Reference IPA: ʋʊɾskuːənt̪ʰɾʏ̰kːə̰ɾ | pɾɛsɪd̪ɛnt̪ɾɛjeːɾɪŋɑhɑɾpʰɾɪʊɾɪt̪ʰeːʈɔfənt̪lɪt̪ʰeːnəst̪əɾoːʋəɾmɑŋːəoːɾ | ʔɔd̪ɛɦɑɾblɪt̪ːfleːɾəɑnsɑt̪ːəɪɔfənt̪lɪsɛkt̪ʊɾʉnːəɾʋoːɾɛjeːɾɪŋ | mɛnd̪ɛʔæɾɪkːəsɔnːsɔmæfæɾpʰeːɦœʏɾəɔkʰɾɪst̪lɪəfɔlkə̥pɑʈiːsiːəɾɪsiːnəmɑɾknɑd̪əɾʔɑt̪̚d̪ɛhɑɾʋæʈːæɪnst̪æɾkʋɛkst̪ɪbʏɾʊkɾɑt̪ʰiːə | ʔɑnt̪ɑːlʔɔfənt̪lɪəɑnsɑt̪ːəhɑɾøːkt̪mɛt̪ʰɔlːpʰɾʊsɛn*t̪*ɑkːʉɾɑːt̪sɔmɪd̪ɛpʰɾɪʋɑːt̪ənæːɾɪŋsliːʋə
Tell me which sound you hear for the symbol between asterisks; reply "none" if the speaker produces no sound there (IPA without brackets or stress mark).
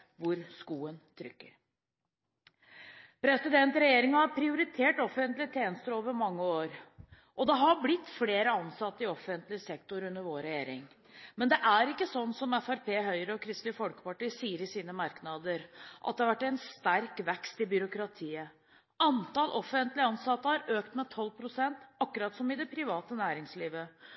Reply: t̪